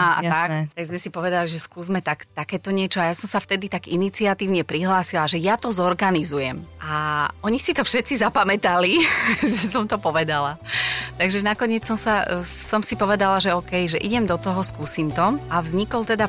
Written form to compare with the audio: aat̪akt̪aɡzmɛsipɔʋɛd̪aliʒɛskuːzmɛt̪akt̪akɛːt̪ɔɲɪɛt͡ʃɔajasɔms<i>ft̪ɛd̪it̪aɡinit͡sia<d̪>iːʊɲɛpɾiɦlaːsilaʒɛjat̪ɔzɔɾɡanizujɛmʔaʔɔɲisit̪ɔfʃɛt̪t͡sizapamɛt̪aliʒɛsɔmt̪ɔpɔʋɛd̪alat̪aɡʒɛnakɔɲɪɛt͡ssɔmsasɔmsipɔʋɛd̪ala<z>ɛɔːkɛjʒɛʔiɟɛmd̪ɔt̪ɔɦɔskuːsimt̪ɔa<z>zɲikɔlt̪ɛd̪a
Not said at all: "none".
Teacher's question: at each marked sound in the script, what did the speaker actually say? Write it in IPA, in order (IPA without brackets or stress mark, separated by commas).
a, t̪, ʒ, v